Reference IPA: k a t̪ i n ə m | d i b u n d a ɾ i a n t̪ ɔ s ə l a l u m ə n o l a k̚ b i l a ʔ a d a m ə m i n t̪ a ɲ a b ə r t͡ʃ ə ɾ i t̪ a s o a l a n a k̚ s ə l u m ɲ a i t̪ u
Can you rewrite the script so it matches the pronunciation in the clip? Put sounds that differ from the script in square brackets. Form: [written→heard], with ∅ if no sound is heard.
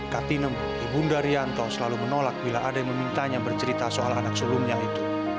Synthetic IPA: k a t̪ i n ə m | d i b u n d a ɾ i a n t̪ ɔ s ə l a l u m ə n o l a k̚ b i l a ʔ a d a m ə m i n t̪ a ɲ a b ə r t͡ʃ ə ɾ i t̪ a s o a l a n a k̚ s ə l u m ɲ a i t̪ u